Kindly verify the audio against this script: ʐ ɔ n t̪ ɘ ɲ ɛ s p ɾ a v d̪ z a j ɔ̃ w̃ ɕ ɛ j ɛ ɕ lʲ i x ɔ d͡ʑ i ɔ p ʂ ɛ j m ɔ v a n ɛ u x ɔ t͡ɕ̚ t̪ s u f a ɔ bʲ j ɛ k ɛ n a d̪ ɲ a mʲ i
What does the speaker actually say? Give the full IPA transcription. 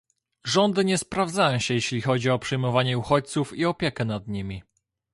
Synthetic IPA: ʐ ɔ n d̪ ɘ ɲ ɛ s p ɾ a v d̪ z a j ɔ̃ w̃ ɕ ɛ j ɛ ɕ lʲ i x ɔ d͡ʑ i ɔ p ʂ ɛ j m ɔ v a ɲ ɛ u x ɔ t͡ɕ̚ t̪ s u f i ɔ pʲ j ɛ k ɛ n a d̪ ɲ i mʲ i